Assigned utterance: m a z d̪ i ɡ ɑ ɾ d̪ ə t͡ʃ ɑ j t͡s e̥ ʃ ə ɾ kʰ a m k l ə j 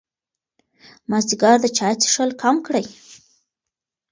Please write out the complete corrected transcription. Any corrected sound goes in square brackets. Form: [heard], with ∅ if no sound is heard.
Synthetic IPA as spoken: m a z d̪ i ɡ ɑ ɾ d̪ ə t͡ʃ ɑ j t͡s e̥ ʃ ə [l] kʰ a m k [ɽ] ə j